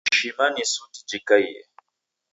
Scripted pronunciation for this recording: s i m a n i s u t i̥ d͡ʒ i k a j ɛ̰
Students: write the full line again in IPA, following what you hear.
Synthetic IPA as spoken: ʃ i m a n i s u t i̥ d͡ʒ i k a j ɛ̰